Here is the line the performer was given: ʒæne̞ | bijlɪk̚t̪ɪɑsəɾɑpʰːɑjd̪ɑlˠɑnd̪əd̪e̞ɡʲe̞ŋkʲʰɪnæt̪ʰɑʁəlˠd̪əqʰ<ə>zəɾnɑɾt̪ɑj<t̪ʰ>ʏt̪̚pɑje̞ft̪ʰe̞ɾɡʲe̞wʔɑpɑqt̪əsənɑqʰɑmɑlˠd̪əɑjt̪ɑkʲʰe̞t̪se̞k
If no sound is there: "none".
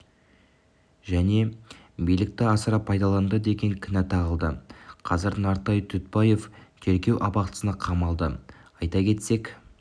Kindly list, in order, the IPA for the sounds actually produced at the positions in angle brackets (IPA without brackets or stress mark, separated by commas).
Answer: ɑ, t̪ʰ